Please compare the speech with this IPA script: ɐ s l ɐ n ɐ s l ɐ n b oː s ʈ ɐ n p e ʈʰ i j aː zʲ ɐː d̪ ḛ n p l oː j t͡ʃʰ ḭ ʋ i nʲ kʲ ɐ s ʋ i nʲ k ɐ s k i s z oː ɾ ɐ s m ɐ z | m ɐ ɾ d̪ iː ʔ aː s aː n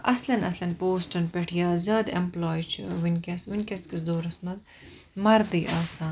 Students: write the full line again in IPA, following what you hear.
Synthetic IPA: ɐ s l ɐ n ɐ s l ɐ n p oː s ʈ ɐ n p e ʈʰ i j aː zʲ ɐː d̪ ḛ m p l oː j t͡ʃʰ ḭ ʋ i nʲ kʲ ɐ s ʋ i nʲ k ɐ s k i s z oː ɾ ɐ s m ɐ z | m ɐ ɾ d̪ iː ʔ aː s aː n